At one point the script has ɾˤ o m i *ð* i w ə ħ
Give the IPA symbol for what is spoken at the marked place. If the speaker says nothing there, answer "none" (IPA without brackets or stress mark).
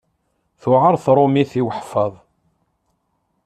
θ